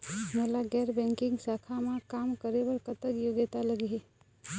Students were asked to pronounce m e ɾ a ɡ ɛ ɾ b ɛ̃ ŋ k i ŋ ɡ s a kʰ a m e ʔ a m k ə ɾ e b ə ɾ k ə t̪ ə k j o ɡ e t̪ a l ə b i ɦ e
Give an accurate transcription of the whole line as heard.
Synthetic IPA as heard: m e l a ɡ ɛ ɾ b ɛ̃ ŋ k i ŋ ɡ s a kʰ a m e k a m k ə ɾ e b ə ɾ k ə t̪ ə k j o ɡ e t̪ a l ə ɡ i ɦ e